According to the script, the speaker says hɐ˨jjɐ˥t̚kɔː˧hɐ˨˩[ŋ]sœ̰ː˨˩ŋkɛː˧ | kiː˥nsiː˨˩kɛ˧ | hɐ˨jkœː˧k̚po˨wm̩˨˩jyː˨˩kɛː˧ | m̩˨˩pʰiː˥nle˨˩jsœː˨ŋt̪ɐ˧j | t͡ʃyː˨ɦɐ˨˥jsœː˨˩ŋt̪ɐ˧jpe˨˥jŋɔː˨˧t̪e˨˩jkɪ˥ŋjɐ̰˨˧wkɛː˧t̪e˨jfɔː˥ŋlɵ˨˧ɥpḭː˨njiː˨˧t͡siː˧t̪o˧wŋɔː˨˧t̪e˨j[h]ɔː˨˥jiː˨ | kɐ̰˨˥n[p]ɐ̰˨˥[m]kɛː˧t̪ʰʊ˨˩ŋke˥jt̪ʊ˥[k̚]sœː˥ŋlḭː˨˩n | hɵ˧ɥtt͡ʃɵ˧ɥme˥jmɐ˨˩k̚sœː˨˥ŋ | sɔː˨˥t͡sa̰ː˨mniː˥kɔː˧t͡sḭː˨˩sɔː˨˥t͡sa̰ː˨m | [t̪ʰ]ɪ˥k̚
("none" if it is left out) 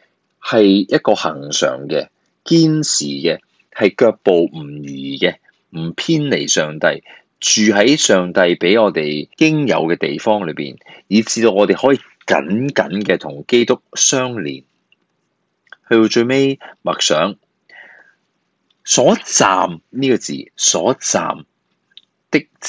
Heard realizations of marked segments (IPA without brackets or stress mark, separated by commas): ŋ, h, k, n, k̚, t̪